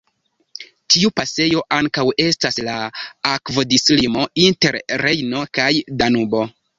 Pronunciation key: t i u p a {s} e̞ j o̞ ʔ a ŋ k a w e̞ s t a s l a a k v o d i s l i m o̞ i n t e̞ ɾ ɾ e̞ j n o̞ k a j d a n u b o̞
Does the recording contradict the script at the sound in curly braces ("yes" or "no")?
no